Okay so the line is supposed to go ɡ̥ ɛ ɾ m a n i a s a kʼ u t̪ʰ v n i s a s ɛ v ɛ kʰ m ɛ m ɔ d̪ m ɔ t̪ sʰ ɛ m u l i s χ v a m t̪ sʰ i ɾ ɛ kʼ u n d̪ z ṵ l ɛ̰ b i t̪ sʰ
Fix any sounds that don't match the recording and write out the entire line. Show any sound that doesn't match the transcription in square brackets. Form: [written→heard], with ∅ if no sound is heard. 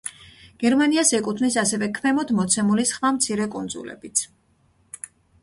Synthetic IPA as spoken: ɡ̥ ɛ ɾ m a n i a s [a→ɛ] kʼ u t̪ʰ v n i s a s ɛ v ɛ kʰ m ɛ m ɔ d̪ m ɔ t̪ sʰ ɛ m u l i s χ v a m t̪ sʰ i ɾ ɛ kʼ u n d̪ z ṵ l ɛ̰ b i t̪ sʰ